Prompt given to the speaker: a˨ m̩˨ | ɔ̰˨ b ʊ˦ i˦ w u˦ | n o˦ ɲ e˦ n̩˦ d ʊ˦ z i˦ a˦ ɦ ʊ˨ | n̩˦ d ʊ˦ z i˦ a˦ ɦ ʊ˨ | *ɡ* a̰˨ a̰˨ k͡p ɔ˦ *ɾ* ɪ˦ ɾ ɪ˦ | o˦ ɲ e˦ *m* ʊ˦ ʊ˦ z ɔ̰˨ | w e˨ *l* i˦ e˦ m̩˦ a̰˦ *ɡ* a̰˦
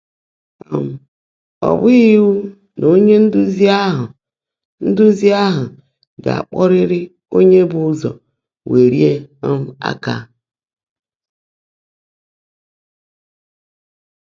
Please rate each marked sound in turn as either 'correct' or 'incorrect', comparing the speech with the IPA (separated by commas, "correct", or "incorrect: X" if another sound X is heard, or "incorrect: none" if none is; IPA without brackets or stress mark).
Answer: correct, correct, incorrect: b, incorrect: ɾ, incorrect: k